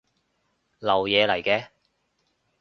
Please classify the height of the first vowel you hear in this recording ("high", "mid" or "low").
low